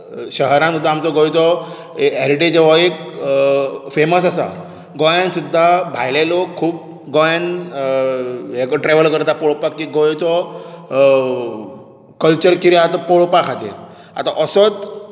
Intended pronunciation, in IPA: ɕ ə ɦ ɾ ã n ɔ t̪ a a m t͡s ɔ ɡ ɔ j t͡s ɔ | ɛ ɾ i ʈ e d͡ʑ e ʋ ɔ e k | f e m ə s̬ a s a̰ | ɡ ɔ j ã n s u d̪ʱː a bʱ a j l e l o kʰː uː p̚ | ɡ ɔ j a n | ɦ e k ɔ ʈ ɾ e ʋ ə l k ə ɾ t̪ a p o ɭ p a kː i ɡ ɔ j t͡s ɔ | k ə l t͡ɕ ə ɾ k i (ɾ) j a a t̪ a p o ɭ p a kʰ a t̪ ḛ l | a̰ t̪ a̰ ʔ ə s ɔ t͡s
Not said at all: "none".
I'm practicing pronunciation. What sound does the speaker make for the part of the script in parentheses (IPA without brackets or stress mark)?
ɾ